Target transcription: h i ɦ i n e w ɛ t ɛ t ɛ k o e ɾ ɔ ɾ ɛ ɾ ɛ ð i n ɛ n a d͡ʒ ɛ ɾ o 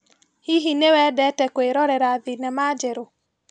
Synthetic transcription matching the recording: h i ɦ i n e w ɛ d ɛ t ɛ k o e ɾ ɔ ɾ ɛ ɾ a ð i n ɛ m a d͡ʒ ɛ ɾ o